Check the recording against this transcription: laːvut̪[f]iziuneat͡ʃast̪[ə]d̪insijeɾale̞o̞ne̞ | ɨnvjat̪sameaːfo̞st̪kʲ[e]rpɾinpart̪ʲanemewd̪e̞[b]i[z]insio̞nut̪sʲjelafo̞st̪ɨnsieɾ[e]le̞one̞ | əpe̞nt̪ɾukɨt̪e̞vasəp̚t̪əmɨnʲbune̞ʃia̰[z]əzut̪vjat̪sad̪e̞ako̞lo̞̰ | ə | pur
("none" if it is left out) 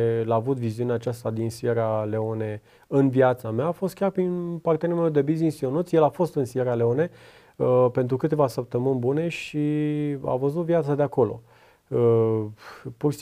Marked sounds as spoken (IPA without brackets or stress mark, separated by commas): v, a, a, b, z, a, v